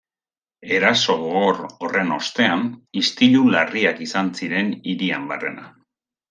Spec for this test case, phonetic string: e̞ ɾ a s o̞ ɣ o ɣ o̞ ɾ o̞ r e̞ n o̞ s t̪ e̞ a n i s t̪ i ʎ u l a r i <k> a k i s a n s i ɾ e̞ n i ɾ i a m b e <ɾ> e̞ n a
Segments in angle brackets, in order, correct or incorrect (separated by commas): incorrect, incorrect